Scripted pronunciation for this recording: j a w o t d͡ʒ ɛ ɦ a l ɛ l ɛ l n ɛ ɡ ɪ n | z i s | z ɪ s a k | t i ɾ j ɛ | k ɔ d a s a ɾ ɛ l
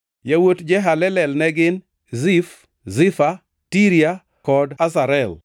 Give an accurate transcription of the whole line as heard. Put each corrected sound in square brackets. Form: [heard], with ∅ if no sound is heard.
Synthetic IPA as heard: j a w o t d͡ʒ ɛ ɦ a l ɛ l ɛ l n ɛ ɡ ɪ n | z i [f] | z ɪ [f] a [∅] | t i ɾ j [a] | k ɔ d a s a ɾ ɛ l